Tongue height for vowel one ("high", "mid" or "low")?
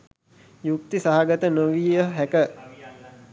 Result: high